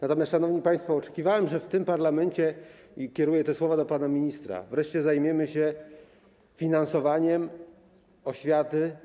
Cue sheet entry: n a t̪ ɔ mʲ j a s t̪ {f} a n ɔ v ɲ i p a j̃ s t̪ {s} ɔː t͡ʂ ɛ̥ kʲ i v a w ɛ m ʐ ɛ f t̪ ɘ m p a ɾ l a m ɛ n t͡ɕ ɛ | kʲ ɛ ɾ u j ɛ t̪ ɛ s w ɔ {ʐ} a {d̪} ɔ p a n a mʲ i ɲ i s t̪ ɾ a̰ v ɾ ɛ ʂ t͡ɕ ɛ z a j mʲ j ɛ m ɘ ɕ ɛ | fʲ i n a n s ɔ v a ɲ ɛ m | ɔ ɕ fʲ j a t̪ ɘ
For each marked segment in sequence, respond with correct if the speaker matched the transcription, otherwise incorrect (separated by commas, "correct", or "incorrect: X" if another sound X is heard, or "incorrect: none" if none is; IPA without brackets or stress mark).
incorrect: ʂ, incorrect: f, incorrect: v, correct